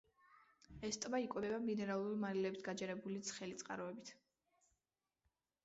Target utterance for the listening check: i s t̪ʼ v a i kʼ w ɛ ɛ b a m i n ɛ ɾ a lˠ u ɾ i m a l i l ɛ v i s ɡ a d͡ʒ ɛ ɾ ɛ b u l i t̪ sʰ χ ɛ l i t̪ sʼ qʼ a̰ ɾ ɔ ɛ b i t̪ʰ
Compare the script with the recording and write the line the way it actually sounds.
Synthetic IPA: ɛ s t̪ʼ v a i kʼ w ɛ ɛ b a m i n ɛ ɾ a lˠ u ɾ i m a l i l ɛ b i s ɡ a d͡ʒ ɛ ɾ ɛ b u l i t̪ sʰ χ ɛ l i t̪ sʼ qʼ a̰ ɾ ɔ ɛ b i t̪ʰ